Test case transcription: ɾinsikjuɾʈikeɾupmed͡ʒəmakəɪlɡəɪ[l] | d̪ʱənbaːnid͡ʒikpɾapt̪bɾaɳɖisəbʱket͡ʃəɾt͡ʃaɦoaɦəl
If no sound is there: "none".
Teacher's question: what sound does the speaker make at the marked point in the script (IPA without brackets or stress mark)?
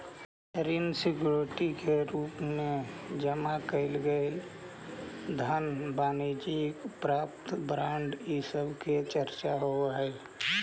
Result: l